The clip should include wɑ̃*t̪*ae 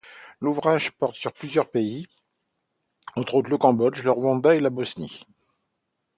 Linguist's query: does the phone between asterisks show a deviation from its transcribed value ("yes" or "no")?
yes